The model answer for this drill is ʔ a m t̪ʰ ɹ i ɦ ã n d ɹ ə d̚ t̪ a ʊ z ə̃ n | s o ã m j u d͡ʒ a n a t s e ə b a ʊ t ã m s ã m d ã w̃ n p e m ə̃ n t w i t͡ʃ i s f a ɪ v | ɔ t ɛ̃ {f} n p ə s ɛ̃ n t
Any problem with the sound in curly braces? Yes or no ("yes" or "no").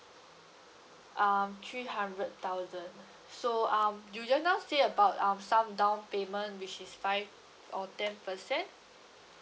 yes